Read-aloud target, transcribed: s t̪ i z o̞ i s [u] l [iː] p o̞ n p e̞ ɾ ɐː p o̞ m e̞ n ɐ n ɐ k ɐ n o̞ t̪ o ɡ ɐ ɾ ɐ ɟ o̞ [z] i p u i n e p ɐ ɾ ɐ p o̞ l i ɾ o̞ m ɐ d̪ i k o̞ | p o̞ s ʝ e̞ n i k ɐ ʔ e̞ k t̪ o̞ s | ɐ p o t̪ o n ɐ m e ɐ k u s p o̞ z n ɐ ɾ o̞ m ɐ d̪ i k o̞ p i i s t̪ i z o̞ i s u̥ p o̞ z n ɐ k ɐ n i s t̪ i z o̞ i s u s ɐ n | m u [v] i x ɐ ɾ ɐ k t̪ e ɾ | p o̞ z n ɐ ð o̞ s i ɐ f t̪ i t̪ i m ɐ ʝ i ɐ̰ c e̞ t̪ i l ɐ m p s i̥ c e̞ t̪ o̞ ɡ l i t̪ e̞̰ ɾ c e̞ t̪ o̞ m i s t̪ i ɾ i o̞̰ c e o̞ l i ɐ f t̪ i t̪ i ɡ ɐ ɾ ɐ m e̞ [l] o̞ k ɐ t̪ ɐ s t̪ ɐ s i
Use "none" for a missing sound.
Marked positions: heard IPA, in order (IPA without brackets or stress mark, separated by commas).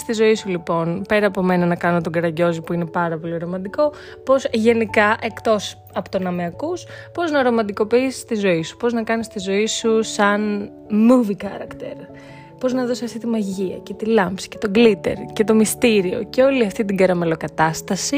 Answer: u, i, z, v, l